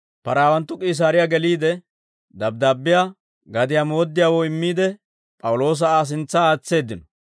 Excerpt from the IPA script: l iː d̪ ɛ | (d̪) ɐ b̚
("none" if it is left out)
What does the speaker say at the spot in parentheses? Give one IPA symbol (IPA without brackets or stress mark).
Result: d̪